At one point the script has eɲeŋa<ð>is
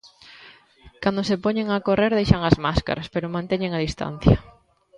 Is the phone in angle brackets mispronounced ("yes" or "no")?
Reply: no